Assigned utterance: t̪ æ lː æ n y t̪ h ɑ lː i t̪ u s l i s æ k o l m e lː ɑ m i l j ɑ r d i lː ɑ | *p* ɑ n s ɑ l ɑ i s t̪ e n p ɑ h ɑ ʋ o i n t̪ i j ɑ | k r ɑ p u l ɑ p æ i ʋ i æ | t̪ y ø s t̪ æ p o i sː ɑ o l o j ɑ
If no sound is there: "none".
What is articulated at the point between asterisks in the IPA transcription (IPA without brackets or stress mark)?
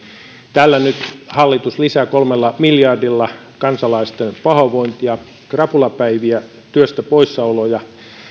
k